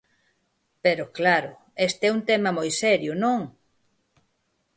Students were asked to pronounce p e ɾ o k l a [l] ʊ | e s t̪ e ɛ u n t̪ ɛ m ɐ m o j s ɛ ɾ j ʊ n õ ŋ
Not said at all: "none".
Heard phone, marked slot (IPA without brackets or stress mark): ɾ